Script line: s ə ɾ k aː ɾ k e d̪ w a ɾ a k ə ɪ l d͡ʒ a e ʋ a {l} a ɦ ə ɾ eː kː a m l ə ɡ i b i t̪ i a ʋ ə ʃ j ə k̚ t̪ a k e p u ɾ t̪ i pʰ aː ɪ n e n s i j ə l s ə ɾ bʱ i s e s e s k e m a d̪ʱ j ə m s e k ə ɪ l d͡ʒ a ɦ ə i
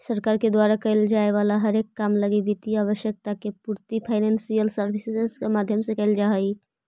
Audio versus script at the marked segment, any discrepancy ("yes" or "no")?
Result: no